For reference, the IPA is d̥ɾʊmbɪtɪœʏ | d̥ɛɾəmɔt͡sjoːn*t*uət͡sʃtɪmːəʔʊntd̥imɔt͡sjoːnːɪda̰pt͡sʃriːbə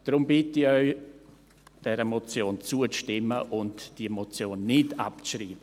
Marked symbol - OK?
no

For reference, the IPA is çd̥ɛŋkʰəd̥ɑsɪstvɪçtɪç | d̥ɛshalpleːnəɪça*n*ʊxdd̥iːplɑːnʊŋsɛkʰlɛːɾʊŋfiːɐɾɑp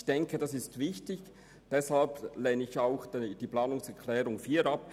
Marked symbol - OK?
no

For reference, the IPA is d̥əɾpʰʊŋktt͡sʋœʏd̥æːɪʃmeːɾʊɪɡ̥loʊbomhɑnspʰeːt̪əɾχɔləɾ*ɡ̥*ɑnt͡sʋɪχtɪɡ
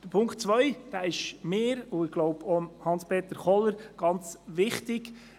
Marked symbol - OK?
yes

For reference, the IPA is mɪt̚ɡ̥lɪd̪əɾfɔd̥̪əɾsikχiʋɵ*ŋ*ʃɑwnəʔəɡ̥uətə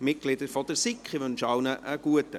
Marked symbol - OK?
no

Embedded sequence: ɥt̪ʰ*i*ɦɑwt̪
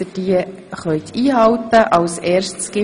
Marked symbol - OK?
no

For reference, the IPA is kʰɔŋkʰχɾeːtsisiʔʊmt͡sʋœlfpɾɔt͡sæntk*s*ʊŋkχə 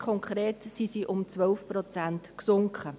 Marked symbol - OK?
yes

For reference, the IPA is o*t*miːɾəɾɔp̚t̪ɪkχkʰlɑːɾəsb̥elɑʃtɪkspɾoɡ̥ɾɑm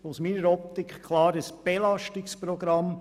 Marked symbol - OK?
no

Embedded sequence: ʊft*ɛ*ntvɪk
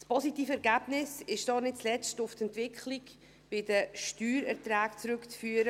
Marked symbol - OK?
yes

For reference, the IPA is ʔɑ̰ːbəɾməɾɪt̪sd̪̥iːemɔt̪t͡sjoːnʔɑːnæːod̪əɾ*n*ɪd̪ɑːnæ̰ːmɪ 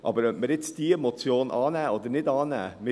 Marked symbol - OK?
yes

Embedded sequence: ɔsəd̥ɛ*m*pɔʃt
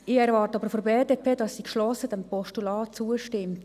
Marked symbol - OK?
yes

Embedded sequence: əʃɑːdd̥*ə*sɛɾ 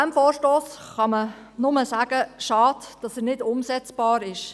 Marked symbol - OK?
no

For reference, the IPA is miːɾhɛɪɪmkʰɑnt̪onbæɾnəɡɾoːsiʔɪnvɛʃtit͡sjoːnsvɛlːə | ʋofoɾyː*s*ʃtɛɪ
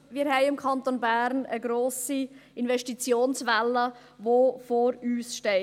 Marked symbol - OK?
yes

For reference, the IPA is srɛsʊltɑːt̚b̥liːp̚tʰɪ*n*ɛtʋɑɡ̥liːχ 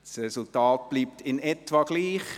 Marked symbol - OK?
yes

